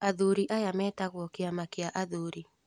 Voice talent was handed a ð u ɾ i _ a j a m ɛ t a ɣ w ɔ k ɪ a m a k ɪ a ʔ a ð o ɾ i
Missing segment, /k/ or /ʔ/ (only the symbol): ʔ